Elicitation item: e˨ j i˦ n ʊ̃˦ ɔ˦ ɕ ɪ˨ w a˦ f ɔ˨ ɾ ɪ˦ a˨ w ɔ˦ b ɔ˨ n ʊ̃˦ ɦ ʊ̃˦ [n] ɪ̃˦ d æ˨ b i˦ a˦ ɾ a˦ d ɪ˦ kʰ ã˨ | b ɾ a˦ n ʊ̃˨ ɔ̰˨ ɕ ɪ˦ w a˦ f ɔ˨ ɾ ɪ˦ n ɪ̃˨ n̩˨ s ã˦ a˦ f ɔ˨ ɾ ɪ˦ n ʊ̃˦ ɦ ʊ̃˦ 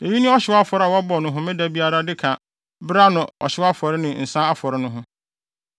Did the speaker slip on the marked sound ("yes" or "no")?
yes